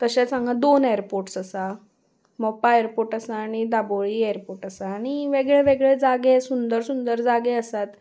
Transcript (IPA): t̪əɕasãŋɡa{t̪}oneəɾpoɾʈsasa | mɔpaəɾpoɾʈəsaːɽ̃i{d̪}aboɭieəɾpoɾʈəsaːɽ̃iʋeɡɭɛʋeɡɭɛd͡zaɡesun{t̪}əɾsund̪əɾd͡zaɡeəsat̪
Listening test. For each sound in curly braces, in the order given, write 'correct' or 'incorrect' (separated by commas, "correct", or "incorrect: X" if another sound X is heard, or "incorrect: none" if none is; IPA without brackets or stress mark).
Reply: incorrect: d̪, correct, incorrect: d̪